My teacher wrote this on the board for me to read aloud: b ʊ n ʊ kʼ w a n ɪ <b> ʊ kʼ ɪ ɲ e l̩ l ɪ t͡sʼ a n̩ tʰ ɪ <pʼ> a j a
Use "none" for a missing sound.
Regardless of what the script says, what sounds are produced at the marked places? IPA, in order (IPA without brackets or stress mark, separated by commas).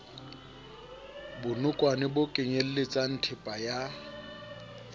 b, pʼ